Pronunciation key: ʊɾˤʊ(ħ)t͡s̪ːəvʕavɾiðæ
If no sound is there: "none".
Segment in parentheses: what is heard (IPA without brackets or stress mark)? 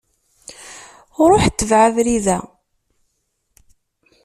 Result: ħ